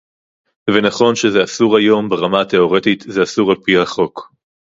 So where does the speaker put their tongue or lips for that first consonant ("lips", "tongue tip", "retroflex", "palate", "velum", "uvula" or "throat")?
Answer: lips